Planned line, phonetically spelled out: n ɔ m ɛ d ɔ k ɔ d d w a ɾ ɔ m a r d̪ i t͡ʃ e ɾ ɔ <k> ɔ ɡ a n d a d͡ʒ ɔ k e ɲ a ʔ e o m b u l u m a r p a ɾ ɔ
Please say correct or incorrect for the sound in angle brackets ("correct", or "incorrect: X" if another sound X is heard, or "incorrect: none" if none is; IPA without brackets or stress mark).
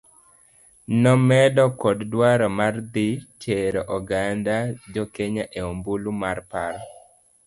incorrect: ʔ